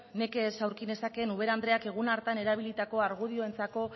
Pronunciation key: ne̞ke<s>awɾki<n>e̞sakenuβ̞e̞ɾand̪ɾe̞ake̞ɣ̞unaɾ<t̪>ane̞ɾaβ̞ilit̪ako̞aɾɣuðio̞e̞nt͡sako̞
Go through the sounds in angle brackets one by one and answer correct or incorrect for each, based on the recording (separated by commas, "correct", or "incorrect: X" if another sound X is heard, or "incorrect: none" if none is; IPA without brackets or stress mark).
correct, correct, correct